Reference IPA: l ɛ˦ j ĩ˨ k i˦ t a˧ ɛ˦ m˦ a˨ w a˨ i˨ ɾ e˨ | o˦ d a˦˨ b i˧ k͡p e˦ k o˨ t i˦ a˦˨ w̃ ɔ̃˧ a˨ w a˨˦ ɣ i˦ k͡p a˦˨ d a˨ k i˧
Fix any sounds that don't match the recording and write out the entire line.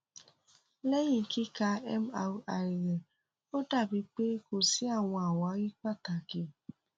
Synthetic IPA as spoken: l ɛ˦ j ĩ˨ k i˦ k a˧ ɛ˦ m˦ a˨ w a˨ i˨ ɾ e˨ | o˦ d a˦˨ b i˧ k͡p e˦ k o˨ s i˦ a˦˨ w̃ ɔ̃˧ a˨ w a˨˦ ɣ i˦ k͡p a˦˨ t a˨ k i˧